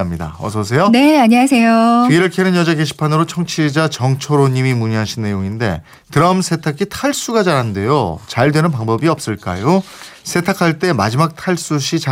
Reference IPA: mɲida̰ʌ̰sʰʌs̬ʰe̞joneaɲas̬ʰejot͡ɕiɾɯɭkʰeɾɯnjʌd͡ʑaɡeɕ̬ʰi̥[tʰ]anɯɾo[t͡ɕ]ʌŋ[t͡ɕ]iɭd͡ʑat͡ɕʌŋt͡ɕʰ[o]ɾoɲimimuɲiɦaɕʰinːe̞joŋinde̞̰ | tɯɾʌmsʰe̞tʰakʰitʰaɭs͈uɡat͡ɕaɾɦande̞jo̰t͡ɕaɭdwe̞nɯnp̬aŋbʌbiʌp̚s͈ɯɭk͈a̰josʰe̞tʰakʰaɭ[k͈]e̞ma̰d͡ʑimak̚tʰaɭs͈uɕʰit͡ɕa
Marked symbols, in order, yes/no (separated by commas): no, no, no, yes, no